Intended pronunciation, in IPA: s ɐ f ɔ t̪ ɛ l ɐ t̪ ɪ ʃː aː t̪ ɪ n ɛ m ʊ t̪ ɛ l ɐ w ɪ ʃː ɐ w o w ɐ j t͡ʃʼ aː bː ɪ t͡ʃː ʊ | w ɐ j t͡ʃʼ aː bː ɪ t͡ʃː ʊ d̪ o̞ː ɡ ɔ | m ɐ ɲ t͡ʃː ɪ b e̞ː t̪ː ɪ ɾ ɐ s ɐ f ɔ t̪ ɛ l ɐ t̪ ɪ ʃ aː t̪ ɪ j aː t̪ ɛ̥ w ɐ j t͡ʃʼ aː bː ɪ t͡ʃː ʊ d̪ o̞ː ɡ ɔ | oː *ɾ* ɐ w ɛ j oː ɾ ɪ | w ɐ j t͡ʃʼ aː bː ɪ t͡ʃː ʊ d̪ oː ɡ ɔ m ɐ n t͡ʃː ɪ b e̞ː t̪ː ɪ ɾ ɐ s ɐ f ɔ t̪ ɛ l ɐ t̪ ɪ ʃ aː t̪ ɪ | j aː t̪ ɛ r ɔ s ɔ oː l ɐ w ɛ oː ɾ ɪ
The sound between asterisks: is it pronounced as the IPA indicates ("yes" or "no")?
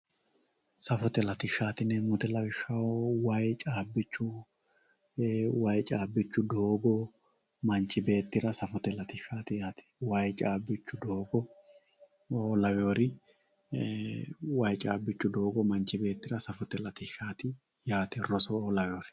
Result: no